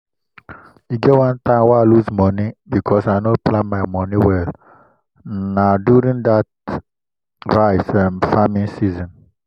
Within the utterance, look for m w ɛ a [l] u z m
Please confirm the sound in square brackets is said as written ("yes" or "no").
yes